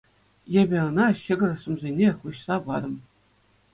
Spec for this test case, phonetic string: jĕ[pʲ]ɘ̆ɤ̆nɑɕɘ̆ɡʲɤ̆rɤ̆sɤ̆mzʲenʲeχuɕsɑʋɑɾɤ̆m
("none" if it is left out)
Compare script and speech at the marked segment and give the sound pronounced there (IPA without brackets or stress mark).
bʲ